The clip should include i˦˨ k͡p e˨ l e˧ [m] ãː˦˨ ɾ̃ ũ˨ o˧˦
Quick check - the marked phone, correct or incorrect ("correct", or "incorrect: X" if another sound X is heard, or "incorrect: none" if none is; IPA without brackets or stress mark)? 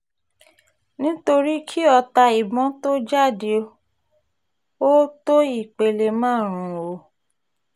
correct